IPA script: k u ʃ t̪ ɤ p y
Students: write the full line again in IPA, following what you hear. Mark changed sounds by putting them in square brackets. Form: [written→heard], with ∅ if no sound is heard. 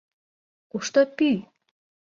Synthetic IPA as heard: k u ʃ t̪ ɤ p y